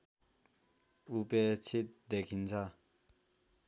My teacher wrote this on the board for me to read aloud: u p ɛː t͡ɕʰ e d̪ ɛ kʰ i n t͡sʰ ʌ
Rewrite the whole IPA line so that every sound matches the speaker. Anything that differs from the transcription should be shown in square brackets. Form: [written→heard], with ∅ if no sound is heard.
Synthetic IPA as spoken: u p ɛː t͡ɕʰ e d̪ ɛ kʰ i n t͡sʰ [ʌ→a]